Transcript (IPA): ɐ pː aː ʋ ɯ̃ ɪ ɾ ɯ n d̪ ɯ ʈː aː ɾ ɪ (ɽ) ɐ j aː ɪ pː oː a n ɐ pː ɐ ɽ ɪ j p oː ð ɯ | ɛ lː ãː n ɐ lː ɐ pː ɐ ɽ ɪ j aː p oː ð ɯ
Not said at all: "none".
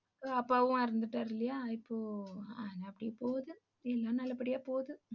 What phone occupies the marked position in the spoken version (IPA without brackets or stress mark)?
l